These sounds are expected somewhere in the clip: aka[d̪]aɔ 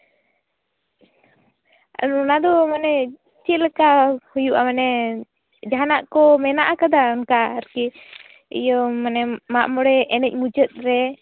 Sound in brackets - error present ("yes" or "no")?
no